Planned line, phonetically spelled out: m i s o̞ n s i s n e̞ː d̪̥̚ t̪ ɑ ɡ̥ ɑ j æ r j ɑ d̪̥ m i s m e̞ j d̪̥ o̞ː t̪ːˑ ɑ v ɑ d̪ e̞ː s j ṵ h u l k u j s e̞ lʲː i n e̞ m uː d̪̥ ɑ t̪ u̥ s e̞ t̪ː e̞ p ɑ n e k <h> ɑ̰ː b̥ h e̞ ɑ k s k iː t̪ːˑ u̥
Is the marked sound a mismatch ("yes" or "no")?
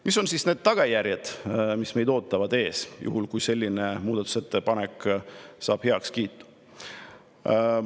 yes